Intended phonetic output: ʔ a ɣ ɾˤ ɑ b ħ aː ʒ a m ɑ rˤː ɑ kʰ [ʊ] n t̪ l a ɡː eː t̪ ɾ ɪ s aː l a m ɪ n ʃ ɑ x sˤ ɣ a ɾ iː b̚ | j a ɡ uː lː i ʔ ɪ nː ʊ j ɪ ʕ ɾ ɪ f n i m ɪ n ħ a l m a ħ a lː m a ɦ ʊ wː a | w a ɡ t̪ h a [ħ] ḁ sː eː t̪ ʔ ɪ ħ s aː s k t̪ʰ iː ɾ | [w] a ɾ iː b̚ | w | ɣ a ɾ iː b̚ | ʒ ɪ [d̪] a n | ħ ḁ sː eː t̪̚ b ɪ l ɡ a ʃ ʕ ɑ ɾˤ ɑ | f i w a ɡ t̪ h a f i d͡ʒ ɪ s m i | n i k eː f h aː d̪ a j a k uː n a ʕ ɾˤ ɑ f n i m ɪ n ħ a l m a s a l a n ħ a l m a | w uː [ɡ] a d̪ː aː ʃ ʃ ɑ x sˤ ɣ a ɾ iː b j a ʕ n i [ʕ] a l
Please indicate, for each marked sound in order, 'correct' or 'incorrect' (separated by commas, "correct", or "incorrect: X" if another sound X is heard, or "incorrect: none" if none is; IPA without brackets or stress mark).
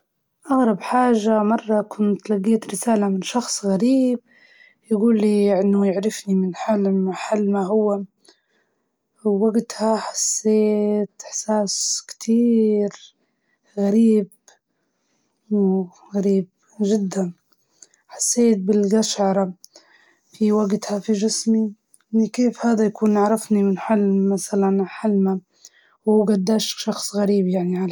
correct, correct, incorrect: ɣ, incorrect: d̪ː, correct, correct